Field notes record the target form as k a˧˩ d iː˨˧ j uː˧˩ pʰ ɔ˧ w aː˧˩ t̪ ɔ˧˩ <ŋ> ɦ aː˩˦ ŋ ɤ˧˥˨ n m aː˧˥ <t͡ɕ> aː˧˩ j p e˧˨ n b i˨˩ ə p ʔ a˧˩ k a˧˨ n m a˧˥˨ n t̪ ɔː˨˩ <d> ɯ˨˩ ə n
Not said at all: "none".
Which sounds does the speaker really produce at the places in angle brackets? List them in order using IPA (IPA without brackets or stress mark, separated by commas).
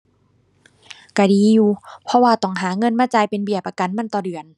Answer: ŋ, t͡ɕ, d